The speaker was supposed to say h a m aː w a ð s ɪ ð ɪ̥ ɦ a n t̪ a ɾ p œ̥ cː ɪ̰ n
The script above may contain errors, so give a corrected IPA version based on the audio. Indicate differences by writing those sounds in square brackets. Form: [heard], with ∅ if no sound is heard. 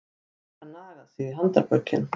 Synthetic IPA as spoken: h a [n] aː [ɣ] a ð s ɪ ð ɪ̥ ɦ a n t̪ a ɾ p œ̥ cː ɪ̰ n